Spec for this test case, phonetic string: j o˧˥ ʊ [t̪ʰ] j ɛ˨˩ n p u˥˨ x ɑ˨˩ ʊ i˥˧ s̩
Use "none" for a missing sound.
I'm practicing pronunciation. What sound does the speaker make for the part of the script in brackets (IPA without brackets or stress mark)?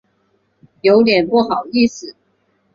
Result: t̪